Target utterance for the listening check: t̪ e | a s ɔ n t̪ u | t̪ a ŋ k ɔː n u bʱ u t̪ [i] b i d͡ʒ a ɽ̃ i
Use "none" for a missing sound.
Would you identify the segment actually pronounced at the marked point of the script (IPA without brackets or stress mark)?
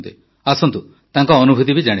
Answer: i